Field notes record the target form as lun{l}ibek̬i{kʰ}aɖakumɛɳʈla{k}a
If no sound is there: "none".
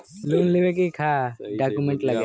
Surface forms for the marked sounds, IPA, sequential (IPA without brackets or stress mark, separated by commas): l, kʰ, ɡ